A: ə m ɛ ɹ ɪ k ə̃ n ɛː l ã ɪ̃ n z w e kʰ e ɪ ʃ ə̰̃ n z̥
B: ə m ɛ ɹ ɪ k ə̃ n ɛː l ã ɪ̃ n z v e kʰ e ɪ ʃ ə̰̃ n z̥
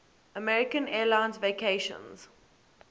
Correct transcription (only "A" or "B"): B